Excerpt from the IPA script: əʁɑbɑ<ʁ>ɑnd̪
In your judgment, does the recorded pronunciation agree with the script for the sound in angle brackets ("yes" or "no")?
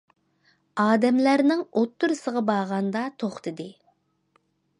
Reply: yes